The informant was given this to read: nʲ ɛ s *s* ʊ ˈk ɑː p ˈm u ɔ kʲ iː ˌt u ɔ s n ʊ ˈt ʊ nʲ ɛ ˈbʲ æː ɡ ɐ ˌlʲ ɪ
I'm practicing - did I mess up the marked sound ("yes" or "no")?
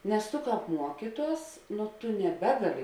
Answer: yes